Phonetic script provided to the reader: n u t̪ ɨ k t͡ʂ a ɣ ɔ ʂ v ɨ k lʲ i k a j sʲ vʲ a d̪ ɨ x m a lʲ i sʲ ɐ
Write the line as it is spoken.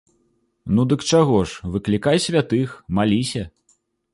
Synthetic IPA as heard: n u d̪ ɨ k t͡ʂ a ɣ ɔ ʂ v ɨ k lʲ i k a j sʲ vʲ a t̪ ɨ x m a lʲ i sʲ ɐ